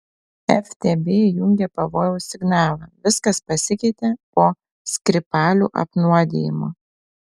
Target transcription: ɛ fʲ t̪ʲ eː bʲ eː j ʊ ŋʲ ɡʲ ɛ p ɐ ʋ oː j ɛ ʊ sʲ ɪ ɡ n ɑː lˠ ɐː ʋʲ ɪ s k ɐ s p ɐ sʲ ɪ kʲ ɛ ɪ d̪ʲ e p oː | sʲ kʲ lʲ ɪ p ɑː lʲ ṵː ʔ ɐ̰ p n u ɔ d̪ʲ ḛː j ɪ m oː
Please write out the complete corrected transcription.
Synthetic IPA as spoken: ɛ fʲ t̪ʲ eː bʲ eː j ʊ ŋʲ ɡʲ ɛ p ɐ ʋ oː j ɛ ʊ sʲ ɪ ɡ n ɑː lˠ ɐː ʋʲ ɪ s k ɐ s p ɐ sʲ ɪ kʲ ɛ ɪ t̪ʲ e p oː | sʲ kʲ ɾʲ ɪ p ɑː lʲ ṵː ʔ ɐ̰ p n u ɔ d̪ʲ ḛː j ɪ m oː